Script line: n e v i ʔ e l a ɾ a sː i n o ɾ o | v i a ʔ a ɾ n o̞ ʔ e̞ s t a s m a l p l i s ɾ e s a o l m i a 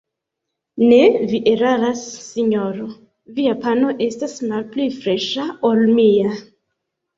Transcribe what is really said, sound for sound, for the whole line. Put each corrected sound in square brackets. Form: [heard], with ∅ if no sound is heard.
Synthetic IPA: n e v i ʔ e [ɾ] a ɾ a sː i [ɲ] o ɾ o | v i a [p] a [∅] n o̞ ʔ e̞ s t a s m a l p l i [f] ɾ e [ʃ] a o l m i a